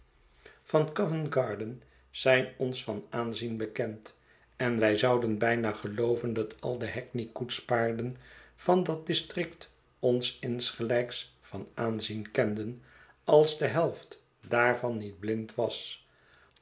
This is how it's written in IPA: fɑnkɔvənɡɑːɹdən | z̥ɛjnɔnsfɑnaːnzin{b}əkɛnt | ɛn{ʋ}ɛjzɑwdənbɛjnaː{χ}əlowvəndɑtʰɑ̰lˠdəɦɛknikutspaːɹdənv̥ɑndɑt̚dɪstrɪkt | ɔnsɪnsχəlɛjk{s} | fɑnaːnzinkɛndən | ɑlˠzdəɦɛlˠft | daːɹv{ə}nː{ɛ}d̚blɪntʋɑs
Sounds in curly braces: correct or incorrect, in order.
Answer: correct, correct, correct, correct, incorrect: ɑ, incorrect: i

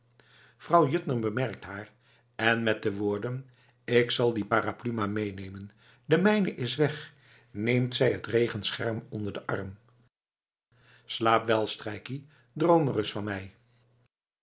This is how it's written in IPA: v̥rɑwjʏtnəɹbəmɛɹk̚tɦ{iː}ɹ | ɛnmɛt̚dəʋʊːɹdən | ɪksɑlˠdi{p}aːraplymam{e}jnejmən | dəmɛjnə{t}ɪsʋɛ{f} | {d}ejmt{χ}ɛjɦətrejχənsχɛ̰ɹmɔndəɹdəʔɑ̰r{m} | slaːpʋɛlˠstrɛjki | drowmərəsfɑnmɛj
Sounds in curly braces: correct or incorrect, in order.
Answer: incorrect: aː, correct, correct, incorrect: ʔ, incorrect: χ, incorrect: n, incorrect: s, correct

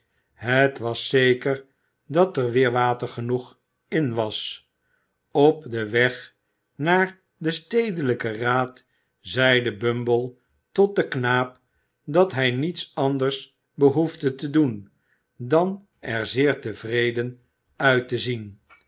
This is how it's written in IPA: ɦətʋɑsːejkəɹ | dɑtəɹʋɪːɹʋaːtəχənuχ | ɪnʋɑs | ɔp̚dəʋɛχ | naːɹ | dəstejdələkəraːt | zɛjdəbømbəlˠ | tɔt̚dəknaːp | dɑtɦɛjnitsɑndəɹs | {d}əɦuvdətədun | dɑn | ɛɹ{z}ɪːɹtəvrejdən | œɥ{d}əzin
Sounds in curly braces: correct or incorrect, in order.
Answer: incorrect: b, correct, incorrect: t

